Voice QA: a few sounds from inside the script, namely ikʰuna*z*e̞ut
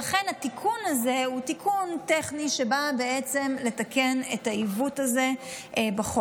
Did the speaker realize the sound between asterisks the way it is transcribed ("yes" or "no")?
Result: yes